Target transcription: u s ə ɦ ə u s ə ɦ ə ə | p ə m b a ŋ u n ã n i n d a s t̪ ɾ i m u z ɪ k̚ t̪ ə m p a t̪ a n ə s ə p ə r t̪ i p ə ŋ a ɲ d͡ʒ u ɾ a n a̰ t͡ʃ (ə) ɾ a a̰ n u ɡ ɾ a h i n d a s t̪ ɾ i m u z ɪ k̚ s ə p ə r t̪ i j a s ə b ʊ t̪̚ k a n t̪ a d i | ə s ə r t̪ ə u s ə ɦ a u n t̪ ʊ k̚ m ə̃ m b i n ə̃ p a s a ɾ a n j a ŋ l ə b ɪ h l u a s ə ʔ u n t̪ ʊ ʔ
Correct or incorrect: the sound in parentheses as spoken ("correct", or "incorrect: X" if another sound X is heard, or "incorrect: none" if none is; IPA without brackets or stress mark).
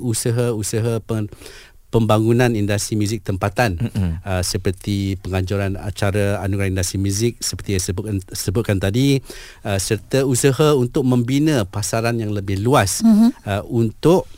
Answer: incorrect: a